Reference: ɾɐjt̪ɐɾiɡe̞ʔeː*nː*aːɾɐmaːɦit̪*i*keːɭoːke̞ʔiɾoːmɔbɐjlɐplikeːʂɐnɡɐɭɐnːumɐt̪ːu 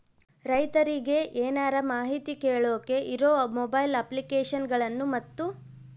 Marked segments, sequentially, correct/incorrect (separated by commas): incorrect, correct